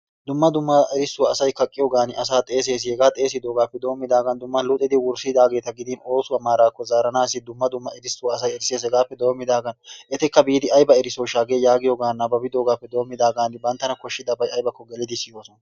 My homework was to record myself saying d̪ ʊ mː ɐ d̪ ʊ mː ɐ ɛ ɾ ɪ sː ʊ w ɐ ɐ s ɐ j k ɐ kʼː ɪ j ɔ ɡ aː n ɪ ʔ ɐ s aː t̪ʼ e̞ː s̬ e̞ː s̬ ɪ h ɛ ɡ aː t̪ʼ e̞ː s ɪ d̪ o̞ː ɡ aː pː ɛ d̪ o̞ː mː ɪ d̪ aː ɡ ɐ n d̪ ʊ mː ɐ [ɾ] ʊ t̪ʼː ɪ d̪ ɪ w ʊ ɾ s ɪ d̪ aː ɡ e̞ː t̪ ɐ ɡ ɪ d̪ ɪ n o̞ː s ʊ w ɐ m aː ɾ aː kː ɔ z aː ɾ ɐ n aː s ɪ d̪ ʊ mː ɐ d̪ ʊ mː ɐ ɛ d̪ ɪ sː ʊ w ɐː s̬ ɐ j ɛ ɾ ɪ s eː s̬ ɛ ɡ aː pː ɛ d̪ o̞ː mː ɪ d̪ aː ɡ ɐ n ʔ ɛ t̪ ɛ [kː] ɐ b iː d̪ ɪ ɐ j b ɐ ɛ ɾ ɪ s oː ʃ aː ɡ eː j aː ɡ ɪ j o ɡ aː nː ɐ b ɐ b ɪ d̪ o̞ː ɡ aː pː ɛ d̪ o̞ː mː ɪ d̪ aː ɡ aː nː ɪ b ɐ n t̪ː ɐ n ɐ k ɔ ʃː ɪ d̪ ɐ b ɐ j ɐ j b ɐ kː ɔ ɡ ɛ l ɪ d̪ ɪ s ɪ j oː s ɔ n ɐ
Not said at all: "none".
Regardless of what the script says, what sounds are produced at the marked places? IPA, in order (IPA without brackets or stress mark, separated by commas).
l, kː